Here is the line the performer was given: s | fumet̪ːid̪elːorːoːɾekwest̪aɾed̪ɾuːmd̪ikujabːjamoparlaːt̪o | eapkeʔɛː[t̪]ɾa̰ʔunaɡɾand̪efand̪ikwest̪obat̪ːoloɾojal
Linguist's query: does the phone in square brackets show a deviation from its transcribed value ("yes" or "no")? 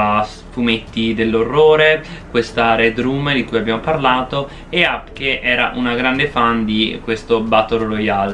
yes